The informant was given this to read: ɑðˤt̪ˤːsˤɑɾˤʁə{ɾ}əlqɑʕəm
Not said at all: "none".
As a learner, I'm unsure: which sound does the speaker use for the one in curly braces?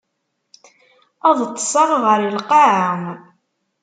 ɾ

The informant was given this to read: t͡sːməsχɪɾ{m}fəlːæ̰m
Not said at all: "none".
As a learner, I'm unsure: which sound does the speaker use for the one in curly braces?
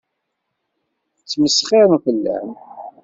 m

